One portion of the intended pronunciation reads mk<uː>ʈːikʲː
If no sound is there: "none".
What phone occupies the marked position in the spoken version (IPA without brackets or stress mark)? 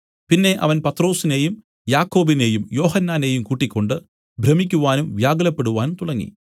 uː